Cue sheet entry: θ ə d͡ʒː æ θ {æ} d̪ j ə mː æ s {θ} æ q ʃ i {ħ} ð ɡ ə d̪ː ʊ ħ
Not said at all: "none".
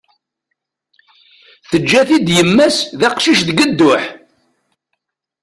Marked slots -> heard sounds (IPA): i, ð, ʃ

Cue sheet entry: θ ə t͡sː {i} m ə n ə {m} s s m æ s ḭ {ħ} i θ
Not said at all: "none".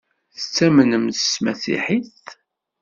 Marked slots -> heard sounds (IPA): æ, m, ħ

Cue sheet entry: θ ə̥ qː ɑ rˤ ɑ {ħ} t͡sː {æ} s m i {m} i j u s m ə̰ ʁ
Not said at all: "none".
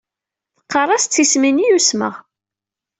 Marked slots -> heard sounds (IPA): s, i, n

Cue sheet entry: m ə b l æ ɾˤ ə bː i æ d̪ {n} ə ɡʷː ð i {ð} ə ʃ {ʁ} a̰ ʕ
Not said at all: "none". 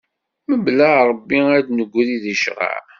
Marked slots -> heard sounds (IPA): n, ð, ʁ

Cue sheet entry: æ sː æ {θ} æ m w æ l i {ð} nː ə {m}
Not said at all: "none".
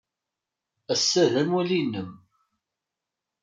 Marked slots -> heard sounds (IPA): ð, none, m

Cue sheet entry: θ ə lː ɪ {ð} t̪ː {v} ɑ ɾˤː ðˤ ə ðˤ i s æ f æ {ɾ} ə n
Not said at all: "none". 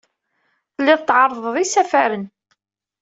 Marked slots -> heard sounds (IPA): ð, ʕ, ɾ

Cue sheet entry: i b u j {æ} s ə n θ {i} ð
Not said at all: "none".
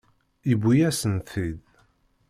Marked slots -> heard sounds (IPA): æ, i

